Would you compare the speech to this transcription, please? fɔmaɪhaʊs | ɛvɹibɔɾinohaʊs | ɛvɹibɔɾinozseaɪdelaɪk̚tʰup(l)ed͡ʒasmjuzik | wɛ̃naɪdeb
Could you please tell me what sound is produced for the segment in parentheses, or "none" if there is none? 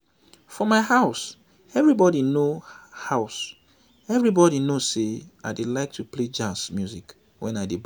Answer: l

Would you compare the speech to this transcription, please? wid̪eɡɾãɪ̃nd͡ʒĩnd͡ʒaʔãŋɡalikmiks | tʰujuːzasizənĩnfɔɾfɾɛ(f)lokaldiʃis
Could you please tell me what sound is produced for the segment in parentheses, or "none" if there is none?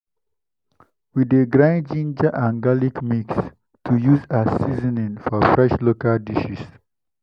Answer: ʃ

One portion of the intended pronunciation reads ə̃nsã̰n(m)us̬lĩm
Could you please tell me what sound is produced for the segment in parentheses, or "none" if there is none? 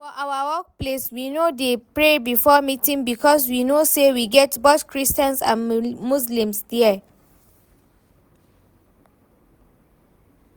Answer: m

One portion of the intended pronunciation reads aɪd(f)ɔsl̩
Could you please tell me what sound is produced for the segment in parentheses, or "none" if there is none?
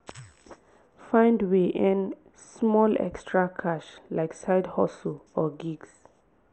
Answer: h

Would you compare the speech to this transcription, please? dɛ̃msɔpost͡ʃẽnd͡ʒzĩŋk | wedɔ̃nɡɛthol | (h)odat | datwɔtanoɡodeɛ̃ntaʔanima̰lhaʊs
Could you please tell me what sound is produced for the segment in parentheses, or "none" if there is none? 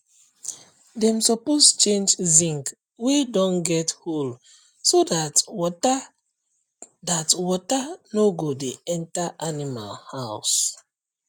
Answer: s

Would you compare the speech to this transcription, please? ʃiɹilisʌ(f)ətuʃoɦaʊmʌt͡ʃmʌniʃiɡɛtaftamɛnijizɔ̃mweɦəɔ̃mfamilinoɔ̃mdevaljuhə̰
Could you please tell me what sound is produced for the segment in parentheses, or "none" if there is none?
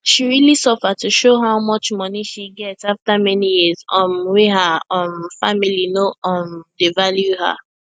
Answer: f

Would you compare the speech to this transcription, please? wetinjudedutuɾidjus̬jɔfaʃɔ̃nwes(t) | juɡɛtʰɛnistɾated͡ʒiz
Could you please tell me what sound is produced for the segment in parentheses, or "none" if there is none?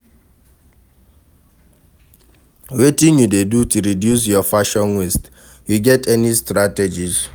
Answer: t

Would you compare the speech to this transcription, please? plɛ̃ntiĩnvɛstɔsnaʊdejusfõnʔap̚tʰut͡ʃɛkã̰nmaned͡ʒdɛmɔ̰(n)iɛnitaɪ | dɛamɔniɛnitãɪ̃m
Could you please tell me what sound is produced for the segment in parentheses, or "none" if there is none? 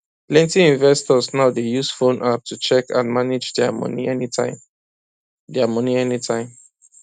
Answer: n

